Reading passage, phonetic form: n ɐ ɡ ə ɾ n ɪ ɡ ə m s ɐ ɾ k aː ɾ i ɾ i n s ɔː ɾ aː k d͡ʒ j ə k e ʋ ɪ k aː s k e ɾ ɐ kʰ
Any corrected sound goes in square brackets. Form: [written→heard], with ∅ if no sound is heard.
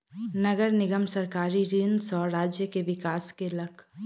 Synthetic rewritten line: n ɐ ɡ ə ɾ n ɪ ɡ ə m s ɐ ɾ k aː ɾ i ɾ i n s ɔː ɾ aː [k→∅] d͡ʒ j ə k e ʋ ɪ k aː s k e [ɾ→l] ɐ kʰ